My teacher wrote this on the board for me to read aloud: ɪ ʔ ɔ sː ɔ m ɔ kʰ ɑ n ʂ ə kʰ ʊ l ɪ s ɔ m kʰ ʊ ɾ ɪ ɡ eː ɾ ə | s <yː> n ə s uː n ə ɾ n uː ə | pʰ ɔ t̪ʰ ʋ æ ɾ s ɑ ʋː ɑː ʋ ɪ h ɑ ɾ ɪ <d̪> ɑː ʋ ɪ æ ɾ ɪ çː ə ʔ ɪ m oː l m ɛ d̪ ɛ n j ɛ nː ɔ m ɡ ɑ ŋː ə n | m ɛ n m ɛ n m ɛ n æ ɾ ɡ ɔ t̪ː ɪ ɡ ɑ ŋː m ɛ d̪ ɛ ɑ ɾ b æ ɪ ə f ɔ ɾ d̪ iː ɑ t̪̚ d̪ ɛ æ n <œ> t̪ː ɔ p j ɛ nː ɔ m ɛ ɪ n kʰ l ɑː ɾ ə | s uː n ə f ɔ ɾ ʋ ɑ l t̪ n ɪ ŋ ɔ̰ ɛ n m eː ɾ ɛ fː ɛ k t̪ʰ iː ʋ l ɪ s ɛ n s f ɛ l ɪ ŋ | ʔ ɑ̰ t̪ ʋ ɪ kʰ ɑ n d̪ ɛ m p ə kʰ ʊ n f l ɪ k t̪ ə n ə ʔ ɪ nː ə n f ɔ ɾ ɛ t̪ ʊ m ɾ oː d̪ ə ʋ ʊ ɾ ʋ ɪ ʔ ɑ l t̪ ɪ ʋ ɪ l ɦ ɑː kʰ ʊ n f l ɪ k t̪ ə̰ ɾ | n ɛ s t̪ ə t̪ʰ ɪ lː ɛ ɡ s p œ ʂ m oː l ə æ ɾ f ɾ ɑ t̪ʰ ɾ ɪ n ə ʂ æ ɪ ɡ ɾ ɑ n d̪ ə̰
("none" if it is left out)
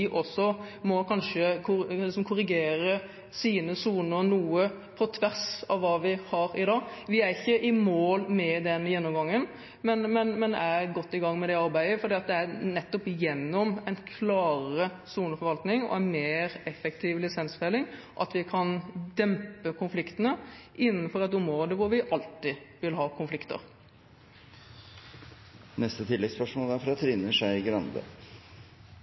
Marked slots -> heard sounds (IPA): iː, d̪, ɛ

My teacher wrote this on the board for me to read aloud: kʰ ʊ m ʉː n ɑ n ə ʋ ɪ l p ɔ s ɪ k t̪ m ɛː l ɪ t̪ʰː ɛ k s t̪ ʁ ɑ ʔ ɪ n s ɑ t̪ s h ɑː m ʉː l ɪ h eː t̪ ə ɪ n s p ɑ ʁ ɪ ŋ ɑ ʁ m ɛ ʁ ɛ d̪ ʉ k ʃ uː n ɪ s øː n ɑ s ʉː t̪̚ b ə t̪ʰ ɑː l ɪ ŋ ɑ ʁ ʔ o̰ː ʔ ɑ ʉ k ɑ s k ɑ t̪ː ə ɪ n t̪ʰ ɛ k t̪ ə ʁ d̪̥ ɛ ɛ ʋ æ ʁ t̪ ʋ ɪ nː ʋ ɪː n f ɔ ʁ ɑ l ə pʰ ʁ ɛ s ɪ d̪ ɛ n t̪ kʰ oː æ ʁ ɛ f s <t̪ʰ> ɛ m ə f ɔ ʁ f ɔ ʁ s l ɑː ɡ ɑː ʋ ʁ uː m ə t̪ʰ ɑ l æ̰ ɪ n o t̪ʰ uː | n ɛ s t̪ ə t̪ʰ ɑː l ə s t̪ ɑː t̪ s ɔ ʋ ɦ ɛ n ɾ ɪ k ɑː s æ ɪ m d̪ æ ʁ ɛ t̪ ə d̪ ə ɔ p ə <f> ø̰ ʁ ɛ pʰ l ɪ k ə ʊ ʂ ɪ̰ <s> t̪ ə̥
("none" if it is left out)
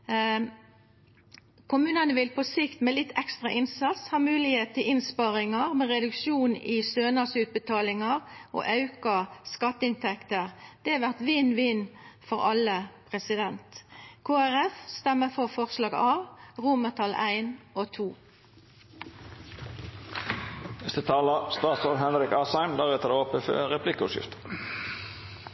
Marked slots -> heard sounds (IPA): t̪, f, f

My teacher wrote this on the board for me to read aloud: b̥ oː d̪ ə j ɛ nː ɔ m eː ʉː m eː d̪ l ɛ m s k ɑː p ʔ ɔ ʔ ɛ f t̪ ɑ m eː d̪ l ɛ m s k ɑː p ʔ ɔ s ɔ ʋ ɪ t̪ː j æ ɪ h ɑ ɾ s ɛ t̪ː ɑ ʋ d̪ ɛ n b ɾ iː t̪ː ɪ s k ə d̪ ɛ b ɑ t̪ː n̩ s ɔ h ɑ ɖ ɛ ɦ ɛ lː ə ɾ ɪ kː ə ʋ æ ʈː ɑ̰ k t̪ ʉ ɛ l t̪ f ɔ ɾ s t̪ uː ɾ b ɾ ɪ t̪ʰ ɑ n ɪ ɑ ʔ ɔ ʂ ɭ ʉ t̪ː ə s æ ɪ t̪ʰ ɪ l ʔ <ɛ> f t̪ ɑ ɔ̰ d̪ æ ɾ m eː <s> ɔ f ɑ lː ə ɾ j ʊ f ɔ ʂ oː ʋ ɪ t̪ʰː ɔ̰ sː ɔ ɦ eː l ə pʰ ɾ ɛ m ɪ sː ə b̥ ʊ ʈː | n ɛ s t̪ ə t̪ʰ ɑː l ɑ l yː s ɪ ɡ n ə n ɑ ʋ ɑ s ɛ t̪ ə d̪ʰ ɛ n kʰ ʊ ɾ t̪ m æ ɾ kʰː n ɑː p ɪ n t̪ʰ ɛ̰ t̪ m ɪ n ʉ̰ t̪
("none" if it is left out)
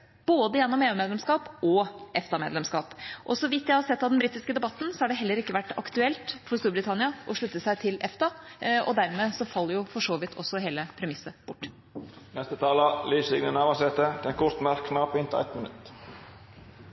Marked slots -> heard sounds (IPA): ɛ, s

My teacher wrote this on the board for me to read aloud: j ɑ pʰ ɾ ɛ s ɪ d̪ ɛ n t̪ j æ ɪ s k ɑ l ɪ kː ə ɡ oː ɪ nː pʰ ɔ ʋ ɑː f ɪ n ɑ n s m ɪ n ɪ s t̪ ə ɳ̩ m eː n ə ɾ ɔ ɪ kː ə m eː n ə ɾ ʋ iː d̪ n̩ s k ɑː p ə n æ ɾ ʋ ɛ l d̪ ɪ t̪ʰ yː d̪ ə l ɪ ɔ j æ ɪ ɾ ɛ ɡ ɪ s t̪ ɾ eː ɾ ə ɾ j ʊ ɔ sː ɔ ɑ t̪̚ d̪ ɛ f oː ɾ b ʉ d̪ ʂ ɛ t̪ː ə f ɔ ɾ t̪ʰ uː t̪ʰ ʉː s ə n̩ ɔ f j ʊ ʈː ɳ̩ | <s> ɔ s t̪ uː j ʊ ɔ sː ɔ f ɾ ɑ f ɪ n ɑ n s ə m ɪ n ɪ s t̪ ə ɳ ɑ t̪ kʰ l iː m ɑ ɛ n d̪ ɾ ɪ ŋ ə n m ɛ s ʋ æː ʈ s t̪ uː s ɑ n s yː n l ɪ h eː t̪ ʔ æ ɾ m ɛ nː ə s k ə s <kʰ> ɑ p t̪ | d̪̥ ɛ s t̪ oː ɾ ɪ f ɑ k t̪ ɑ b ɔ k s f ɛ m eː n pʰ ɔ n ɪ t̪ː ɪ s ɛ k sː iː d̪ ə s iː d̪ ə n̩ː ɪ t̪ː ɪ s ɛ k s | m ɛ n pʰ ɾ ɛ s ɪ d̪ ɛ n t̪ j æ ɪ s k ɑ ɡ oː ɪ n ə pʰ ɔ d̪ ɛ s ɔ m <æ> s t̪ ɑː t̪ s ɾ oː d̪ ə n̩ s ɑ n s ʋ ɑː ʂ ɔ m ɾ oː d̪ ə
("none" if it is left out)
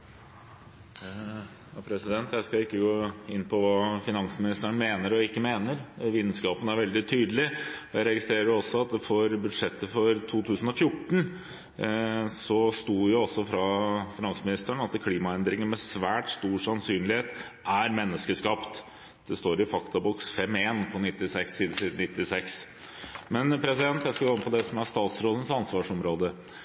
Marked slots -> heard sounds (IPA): s, k, æ

